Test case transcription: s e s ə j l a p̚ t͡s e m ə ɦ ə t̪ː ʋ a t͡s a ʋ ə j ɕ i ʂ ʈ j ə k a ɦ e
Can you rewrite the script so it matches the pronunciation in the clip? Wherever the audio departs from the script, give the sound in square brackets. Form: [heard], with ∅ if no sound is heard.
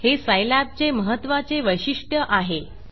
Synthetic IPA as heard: [h] e s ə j l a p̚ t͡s e m ə ɦ ə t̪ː ʋ a t͡s [e] ʋ ə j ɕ i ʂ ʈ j ə [ʔ] a ɦ e